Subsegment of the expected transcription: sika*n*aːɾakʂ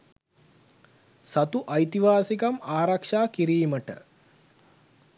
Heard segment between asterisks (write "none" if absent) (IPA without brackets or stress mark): m